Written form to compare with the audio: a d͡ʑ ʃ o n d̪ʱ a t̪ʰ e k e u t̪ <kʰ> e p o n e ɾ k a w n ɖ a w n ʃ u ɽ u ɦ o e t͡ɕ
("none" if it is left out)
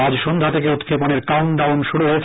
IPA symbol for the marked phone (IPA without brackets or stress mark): kʰ